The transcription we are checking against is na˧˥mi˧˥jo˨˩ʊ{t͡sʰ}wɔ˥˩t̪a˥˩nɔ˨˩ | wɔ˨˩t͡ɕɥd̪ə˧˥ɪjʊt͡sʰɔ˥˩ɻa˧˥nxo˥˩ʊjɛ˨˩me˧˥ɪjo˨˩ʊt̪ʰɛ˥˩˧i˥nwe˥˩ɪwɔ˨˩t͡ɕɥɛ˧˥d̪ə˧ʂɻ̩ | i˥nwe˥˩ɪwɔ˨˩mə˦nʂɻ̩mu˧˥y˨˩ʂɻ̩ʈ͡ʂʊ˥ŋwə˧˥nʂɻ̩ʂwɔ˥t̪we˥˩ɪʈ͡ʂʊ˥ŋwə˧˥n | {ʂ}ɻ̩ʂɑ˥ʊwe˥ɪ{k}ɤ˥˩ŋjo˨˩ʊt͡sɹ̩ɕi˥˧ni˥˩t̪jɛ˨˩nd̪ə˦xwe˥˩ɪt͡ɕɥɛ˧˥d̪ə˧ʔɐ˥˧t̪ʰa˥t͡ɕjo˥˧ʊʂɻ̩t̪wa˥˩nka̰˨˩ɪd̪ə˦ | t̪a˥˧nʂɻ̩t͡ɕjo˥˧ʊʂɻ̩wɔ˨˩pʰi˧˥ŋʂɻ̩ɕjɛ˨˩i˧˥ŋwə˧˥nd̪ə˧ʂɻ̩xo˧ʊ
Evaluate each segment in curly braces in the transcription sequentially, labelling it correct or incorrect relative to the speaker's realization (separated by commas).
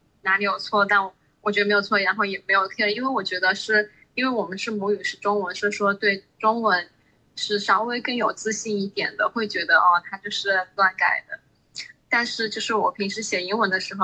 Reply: correct, correct, correct